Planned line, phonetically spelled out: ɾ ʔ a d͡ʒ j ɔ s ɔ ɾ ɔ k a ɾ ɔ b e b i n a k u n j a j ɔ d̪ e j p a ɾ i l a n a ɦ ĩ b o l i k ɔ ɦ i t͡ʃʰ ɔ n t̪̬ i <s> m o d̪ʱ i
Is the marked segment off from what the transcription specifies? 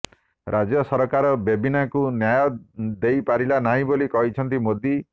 yes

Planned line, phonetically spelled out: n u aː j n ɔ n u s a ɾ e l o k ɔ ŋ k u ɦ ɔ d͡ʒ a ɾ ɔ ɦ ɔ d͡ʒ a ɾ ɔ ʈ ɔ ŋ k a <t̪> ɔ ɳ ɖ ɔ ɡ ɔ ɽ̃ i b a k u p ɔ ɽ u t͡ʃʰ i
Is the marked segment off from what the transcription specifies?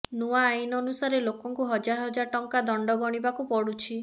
yes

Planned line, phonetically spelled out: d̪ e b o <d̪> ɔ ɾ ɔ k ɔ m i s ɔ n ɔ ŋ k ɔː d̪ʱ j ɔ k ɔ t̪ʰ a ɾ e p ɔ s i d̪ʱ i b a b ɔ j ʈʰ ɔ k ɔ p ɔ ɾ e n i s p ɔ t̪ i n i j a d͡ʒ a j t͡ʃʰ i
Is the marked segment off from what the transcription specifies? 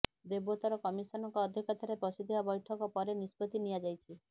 yes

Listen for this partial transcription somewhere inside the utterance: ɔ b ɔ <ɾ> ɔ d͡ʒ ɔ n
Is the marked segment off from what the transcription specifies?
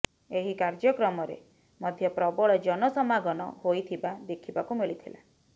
yes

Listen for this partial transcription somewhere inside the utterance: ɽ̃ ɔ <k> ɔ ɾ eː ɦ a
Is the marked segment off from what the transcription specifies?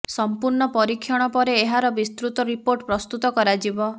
yes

